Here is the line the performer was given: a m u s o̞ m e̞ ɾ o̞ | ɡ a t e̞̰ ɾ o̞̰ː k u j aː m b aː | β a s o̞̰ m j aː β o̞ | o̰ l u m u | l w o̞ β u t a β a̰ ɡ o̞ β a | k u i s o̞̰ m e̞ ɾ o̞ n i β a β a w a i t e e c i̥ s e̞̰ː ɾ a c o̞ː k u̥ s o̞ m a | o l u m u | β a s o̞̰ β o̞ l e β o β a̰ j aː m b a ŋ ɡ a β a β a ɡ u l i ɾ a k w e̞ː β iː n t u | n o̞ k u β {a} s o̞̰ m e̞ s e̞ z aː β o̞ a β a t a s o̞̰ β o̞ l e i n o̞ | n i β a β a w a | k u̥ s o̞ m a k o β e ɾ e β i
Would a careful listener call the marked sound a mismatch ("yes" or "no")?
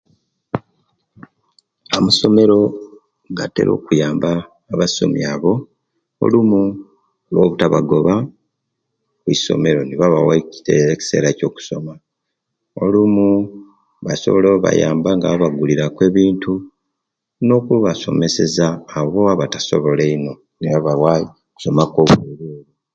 no